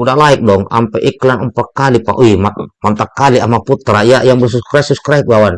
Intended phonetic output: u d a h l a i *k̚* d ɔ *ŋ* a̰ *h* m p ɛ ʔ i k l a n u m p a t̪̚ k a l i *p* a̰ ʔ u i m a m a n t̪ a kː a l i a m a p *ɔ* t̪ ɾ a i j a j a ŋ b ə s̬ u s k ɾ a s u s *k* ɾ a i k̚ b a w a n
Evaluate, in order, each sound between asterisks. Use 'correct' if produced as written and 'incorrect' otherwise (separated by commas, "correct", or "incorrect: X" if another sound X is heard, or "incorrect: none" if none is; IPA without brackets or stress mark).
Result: correct, correct, incorrect: none, correct, incorrect: u, correct